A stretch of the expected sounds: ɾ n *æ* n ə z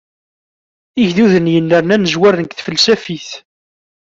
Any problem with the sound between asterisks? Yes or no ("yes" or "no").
no